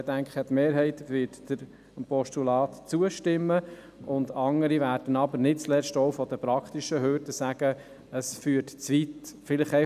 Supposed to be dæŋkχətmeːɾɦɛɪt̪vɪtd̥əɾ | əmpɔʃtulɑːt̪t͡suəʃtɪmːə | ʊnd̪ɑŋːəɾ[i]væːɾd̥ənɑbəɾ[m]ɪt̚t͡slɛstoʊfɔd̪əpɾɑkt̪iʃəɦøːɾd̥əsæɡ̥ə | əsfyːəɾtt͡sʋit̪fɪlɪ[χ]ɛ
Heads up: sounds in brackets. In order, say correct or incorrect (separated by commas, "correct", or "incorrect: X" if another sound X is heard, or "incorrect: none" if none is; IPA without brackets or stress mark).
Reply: correct, incorrect: n, correct